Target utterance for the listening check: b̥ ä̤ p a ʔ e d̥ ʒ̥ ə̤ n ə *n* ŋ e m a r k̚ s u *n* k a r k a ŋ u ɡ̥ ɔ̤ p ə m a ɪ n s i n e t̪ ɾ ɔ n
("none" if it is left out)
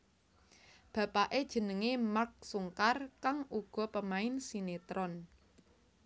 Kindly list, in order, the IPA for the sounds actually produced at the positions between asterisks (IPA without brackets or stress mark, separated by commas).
none, ŋ